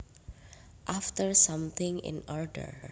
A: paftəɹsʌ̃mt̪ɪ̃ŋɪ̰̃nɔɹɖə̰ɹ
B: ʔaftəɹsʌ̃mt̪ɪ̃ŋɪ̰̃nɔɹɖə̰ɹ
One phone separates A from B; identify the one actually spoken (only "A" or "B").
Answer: B